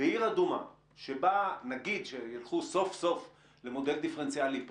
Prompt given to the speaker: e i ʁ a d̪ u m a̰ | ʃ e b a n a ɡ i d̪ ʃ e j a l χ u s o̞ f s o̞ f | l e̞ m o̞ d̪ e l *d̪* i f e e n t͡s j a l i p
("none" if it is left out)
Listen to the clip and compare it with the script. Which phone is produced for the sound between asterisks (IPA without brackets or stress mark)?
d̪